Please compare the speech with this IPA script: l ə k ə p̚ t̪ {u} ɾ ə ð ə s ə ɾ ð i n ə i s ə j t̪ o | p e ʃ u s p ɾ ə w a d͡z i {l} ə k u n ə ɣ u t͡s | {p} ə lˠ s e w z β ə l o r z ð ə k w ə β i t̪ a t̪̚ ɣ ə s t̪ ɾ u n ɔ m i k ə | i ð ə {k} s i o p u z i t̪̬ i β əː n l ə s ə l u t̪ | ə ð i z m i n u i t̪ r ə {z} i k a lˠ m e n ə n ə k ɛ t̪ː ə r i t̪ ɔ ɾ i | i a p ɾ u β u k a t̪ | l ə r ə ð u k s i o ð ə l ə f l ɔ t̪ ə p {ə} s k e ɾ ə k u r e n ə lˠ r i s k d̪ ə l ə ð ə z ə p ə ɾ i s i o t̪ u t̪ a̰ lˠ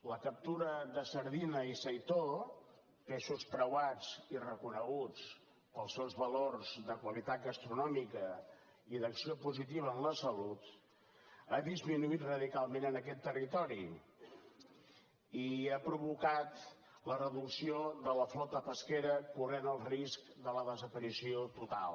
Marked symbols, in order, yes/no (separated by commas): yes, no, yes, yes, no, yes